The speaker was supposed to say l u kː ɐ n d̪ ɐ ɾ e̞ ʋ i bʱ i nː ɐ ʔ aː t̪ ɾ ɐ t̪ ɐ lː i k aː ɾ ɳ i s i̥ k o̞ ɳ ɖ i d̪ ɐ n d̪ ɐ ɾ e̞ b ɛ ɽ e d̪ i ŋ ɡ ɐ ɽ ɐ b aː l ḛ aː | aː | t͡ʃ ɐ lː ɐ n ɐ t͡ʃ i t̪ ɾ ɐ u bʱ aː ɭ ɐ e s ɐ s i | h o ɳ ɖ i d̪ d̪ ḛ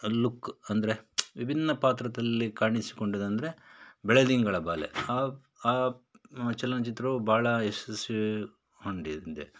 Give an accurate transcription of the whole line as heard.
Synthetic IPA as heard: l u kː ɐ n d̪ ɐ ɾ e̞ ʋ i bʱ i nː ɐ p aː t̪ ɾ ɐ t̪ ɐ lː i k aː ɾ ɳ i s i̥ k o̞ ɳ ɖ i d̪ ɐ n d̪ ɐ ɾ e̞ b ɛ ɭ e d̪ i ŋ ɡ ɐ ɭ ɐ b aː l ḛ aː | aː | t͡ʃ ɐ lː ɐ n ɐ t͡ʃ i t̪ ɾ ɐ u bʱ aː ɭ ɐ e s ɐ s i | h o ɳ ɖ i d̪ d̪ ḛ